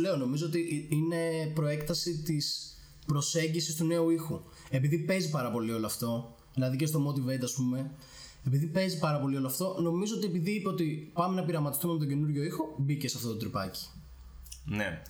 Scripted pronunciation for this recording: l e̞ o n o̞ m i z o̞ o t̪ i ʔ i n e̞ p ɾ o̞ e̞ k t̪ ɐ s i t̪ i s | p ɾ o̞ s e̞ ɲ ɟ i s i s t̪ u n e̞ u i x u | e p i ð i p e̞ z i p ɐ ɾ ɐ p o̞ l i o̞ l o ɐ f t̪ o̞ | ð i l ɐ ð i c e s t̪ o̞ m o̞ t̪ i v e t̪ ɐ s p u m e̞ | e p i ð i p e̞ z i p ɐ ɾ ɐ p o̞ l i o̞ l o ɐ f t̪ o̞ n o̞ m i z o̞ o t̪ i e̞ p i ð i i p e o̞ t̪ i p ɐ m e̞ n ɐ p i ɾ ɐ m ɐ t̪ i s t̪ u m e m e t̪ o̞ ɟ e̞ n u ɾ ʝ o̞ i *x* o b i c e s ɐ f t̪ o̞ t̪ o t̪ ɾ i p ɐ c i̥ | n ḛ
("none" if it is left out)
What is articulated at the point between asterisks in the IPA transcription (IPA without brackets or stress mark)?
x